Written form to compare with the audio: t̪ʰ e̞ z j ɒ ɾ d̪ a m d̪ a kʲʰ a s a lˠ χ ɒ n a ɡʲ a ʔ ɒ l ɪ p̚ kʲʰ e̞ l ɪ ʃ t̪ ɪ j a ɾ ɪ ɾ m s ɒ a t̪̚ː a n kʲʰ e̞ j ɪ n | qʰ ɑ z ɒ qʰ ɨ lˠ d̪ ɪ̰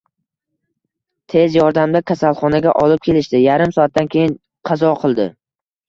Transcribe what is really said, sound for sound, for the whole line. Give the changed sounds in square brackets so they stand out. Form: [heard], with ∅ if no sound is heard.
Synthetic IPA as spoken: t̪ʰ e̞ z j ɒ ɾ d̪ a m d̪ a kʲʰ a s a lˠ χ ɒ n a ɡʲ a ʔ ɒ l ɪ p̚ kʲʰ e̞ l ɪ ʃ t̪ ɪ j a ɾ ɪ [∅] m s ɒ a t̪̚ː a n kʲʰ e̞ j ɪ n | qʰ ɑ z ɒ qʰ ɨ lˠ d̪ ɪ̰